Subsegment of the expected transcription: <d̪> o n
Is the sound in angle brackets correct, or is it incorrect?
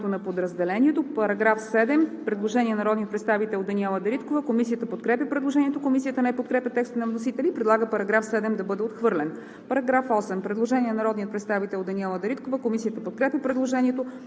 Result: incorrect